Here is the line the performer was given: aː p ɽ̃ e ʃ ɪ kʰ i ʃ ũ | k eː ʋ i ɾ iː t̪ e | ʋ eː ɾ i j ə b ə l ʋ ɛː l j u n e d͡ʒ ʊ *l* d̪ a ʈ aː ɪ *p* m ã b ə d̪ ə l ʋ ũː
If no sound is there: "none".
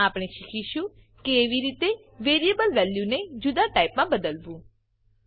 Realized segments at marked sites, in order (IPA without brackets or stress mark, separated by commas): none, p